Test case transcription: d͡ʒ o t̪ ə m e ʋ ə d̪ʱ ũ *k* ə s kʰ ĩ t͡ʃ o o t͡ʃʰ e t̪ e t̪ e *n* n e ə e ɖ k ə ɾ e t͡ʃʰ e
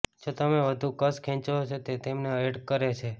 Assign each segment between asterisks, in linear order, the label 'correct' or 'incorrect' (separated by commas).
correct, incorrect